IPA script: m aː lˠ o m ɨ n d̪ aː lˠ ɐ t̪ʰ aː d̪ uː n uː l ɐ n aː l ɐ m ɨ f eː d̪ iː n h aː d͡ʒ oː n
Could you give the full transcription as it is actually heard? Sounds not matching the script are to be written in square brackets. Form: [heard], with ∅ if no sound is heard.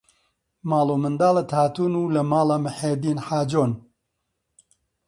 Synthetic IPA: m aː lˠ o m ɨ n d̪ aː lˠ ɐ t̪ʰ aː [t̪] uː n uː l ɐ [m] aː l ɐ m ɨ [ħ] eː d̪ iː n [ħ] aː d͡ʒ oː n